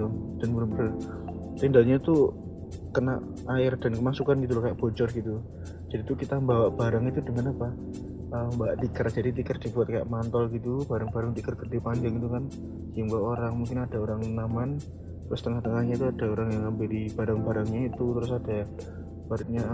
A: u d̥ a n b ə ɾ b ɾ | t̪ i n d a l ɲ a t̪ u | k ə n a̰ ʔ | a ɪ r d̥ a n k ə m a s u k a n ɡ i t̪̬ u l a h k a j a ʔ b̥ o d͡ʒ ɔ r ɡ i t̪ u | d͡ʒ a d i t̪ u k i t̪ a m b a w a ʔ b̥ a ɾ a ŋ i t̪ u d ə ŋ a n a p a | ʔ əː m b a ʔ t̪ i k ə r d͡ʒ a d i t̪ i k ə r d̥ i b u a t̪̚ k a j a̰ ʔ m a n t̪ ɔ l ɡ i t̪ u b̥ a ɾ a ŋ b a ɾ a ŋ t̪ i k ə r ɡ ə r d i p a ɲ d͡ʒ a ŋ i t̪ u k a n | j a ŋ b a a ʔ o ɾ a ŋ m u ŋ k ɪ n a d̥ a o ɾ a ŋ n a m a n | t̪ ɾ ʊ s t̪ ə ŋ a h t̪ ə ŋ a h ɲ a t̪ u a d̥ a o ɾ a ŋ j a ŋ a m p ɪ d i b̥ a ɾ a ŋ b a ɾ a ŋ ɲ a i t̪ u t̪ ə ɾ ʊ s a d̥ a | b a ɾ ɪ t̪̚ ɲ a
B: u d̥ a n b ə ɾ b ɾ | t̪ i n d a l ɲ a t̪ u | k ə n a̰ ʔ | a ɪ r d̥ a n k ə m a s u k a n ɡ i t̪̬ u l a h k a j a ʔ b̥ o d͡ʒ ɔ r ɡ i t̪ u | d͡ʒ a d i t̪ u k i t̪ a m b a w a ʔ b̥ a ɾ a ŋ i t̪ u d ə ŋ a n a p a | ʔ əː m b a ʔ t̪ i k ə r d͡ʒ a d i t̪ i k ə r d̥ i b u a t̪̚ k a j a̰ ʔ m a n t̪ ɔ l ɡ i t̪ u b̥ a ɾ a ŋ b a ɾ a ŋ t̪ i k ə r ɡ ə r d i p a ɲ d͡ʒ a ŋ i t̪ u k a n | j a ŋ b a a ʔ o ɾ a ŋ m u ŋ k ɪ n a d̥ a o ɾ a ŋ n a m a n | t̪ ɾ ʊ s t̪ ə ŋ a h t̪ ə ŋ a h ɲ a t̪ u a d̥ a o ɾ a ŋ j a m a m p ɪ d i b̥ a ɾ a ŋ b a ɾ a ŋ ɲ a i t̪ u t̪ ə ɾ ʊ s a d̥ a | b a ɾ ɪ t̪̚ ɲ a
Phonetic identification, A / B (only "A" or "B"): A